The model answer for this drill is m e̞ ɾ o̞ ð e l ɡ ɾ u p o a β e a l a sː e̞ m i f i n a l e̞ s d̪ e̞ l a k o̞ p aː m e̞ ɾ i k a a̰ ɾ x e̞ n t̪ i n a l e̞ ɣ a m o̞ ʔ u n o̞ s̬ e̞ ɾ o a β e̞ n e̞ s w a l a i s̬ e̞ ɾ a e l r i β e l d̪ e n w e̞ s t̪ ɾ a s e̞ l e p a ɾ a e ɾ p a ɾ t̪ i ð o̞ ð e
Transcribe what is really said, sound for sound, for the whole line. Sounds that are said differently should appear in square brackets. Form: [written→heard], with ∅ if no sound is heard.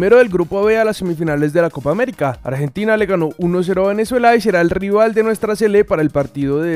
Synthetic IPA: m e̞ ɾ o̞ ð e l ɡ ɾ u p o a β e a l a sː e̞ m i f i n a l e̞ [s→z] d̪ e̞ l a k o̞ p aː m e̞ ɾ i k a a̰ ɾ x e̞ n t̪ i n a l e̞ ɣ a [m→n] o̞ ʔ u n o̞ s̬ e̞ ɾ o a β e̞ n e̞ s w [a→e] l a i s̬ e̞ ɾ a e l r i β [e→a] l d̪ e n w e̞ s t̪ ɾ a s e̞ l e p a ɾ a e [ɾ→l] p a ɾ t̪ i ð o̞ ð e